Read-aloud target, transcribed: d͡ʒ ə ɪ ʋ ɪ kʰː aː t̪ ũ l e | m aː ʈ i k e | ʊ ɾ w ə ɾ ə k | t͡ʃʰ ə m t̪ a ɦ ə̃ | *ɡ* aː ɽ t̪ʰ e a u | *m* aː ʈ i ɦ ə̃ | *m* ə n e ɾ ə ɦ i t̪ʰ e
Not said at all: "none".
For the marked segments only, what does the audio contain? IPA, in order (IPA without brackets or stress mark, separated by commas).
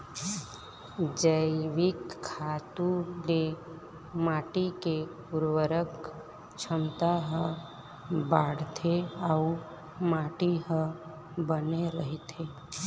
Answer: b, m, b